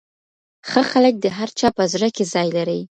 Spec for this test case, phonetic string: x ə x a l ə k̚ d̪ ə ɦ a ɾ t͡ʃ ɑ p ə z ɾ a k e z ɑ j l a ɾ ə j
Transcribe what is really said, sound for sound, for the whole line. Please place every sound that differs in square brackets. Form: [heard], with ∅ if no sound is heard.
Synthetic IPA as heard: x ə x a l ə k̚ d̪ ə ɦ a ɾ t͡ʃ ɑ p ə z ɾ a k e z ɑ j l a ɾ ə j